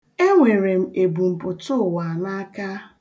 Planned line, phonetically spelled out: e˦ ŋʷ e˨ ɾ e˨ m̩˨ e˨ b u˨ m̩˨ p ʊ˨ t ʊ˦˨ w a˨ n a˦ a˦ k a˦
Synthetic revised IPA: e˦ ŋʷ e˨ ɾ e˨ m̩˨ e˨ b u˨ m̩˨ p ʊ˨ t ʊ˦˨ w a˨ n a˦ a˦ k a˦